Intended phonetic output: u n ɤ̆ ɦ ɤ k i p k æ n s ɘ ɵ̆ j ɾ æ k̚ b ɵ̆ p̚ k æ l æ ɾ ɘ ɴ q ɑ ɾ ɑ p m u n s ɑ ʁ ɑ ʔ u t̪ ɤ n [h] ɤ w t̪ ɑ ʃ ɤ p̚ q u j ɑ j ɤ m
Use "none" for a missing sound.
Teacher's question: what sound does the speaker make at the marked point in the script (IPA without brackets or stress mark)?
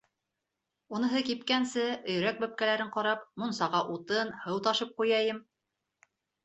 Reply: h